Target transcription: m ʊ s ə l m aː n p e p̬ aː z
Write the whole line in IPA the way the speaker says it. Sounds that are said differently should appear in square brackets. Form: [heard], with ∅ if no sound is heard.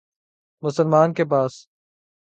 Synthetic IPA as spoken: m ʊ s ə l m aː n [k] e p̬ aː [s]